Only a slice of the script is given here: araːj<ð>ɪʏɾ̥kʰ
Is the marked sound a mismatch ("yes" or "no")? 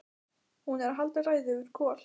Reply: no